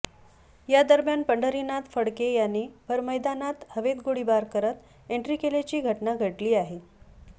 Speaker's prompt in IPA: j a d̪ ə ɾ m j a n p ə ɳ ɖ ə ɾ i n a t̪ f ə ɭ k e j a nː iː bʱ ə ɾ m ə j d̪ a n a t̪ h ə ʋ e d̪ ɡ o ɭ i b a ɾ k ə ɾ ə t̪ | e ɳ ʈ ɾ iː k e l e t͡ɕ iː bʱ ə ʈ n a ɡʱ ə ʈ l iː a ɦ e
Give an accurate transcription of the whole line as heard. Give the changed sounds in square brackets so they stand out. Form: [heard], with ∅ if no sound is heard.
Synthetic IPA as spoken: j a d̪ ə ɾ m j a n p ə ɳ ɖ ə ɾ i n a t̪ f ə [ɽ] k e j a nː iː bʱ ə ɾ m ə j d̪ a n a t̪ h ə ʋ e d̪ ɡ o [ɽ] i b a ɾ k ə ɾ ə t̪ | e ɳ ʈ ɾ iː k e l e t͡ɕ iː [ɡʱ] ə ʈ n a ɡʱ ə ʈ l iː a ɦ e